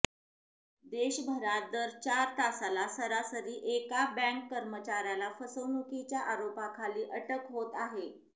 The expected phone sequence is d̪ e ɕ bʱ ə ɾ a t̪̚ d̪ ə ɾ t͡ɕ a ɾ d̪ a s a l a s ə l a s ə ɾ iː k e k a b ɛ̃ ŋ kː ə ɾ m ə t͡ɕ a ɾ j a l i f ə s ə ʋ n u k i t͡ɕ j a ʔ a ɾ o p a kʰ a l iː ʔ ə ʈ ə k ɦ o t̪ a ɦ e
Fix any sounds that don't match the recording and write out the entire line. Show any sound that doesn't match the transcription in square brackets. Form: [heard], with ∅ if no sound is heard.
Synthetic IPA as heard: d̪ e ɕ bʱ ə ɾ a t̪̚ d̪ ə ɾ t͡ɕ a ɾ [t̪] a s a l a s ə [ɾ] a s ə ɾ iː [ʔ] e k a b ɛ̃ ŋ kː ə ɾ m ə t͡ɕ a ɾ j a l [a] f ə s ə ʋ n u k i t͡ɕ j a ʔ a ɾ o p a kʰ a l iː ʔ ə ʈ ə k ɦ o t̪ a ɦ e

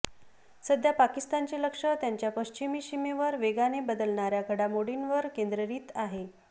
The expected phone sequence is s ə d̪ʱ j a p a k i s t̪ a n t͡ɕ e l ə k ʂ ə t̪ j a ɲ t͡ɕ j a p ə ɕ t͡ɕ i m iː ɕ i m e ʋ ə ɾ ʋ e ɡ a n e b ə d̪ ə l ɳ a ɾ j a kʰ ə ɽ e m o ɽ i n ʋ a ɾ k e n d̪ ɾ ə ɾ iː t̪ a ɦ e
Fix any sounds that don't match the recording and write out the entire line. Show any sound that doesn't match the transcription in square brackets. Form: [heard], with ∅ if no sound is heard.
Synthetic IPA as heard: s ə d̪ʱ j a p a k i s t̪ a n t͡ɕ e l ə k ʂ ə t̪ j a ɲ t͡ɕ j a p ə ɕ t͡ɕ i m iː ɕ i m e ʋ ə ɾ ʋ e ɡ a n e b ə d̪ ə l ɳ a ɾ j a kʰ ə ɽ [a] m o ɽ i n ʋ [ə] ɾ k e n d̪ ɾ ə ɾ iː t̪ a ɦ e

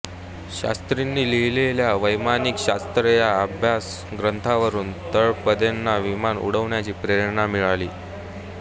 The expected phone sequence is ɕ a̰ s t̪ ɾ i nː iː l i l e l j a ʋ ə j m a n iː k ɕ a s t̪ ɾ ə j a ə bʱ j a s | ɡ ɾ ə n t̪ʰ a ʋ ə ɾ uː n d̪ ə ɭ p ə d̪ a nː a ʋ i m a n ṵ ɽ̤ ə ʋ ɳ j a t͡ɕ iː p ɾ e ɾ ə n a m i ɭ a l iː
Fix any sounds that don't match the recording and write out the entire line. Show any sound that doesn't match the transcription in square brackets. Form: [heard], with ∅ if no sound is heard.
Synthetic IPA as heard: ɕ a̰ s t̪ ɾ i nː iː l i l e l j a ʋ ə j m a n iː k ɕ a s t̪ ɾ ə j a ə bʱ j a s | ɡ ɾ ə n t̪ʰ a ʋ ə ɾ uː n [t̪] ə ɭ p ə d̪ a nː a ʋ i m a n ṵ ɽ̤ ə ʋ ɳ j a t͡ɕ iː p ɾ e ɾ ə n a m i ɭ a l iː

